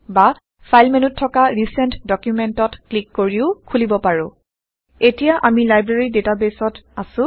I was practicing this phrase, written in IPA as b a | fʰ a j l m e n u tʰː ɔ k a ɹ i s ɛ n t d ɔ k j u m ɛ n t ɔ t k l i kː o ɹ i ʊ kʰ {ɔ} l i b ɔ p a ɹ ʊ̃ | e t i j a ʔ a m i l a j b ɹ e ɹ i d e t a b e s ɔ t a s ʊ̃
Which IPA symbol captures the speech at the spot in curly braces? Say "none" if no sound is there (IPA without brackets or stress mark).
u